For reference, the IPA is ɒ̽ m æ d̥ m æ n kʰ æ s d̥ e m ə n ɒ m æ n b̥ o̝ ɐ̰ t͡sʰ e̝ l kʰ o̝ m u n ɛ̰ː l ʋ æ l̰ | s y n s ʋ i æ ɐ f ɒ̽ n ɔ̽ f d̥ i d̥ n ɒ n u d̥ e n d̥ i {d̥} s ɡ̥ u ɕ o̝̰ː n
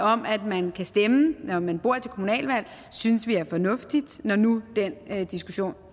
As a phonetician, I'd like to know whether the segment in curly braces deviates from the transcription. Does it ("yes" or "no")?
yes